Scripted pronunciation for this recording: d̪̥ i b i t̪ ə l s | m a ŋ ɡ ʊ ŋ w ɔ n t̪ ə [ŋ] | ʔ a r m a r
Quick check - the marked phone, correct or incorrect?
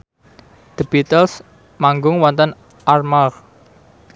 incorrect